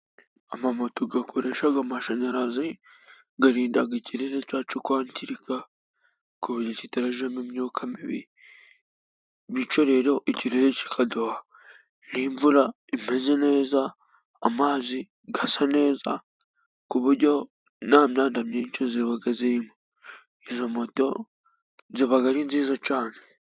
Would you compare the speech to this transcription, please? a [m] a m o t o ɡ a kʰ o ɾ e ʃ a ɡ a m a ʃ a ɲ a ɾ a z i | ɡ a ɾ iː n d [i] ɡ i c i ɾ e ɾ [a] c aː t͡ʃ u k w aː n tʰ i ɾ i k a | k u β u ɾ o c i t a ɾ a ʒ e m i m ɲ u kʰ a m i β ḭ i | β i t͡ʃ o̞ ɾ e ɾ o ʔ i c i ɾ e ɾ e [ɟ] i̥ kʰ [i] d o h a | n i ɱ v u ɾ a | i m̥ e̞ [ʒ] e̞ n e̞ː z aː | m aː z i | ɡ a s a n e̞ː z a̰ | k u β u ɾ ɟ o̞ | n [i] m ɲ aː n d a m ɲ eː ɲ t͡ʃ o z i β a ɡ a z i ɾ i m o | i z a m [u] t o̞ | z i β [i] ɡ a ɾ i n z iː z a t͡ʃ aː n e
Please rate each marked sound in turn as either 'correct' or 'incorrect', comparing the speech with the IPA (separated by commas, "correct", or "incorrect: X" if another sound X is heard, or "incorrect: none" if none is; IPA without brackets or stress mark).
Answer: correct, incorrect: a, incorrect: e, incorrect: c, incorrect: a, incorrect: z, incorrect: a, incorrect: o, incorrect: a